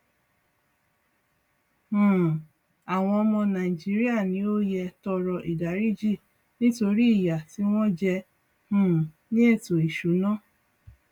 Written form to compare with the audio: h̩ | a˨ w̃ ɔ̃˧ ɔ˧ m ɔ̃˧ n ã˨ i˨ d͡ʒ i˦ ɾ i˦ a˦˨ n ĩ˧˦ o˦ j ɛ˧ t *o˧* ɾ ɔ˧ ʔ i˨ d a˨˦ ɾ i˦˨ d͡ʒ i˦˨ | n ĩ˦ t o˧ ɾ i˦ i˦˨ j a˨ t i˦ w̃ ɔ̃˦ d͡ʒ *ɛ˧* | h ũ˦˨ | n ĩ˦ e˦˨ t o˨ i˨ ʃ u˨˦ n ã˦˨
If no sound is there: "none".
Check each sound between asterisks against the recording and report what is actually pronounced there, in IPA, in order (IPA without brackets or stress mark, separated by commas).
ɔ˧, ɛ˧